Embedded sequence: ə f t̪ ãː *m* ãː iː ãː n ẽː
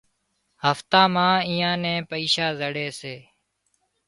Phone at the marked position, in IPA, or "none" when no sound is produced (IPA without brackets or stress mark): m